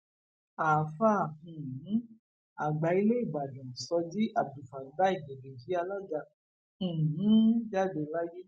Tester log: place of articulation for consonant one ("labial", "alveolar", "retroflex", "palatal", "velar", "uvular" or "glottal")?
labial